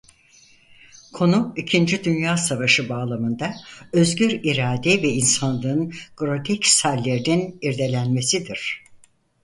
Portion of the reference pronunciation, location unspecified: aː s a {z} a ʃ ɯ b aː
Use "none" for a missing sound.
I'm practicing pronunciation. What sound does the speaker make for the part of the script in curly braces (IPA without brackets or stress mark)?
v